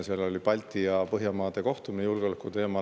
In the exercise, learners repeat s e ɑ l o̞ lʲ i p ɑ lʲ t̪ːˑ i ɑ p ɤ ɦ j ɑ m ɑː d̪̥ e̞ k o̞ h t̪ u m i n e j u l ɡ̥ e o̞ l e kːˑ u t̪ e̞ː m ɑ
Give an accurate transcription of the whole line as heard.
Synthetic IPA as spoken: s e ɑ l o̞ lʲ i p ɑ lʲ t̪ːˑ i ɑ p ɤ ɦ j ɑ m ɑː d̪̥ e̞ k o̞ h t̪ u m i n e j u l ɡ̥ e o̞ l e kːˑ u t̪ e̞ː m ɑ